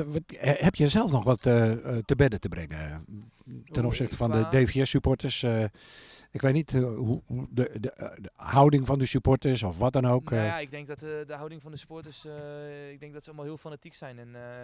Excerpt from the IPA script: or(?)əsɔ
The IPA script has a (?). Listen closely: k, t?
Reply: t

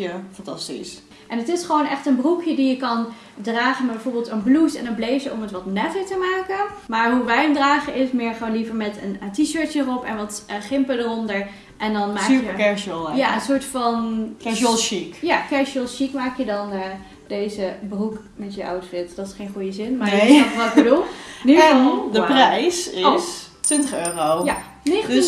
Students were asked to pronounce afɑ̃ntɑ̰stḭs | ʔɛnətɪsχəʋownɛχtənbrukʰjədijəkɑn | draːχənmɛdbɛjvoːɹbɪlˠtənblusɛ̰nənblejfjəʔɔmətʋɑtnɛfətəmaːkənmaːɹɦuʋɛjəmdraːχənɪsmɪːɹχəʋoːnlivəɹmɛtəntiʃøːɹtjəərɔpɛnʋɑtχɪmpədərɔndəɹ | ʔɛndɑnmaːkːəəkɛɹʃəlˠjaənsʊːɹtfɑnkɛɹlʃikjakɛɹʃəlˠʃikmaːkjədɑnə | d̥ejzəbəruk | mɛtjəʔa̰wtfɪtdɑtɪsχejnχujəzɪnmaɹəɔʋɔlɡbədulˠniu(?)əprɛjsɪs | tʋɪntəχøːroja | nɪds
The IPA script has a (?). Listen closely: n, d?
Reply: d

